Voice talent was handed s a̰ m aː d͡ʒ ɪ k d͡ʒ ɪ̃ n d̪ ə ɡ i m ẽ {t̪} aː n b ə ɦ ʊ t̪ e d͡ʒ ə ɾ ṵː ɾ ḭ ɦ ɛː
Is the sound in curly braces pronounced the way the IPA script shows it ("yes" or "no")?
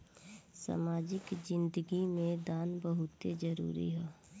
no